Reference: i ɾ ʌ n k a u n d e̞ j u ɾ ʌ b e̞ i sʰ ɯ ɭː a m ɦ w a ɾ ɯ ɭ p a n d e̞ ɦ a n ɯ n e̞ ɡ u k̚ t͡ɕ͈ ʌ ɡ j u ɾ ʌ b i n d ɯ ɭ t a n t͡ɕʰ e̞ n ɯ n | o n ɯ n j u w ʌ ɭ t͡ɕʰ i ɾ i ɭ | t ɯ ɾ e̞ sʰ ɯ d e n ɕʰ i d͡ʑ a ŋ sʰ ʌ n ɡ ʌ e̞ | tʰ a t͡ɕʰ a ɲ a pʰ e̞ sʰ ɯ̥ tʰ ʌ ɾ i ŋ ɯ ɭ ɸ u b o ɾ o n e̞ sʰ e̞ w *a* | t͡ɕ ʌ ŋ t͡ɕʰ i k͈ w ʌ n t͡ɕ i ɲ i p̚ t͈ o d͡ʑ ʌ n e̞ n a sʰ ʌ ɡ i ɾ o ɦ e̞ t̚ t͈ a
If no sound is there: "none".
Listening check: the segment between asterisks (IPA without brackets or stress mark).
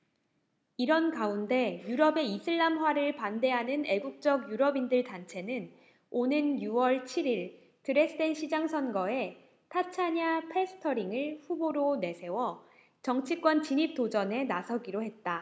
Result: ʌ